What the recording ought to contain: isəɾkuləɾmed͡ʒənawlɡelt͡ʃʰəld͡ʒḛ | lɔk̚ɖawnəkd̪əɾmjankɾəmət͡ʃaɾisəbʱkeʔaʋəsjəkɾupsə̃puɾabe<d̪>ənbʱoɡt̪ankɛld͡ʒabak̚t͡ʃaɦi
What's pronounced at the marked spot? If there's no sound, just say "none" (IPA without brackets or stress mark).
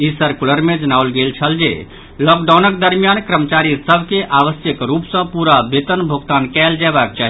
t̪